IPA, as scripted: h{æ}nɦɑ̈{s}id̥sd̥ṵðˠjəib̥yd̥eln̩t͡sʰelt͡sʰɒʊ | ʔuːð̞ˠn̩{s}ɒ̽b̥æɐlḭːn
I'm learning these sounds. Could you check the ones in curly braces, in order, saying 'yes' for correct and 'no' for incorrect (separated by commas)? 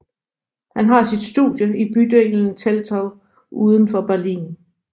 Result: yes, yes, no